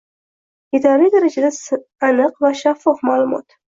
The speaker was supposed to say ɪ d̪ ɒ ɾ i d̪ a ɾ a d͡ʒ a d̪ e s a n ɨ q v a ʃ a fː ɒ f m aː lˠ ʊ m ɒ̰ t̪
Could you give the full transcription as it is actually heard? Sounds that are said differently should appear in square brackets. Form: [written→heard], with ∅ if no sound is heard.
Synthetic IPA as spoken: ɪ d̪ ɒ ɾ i d̪ a ɾ a d͡ʒ a d̪ [e→a] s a n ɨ q v a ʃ a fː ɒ f m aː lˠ ʊ m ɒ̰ t̪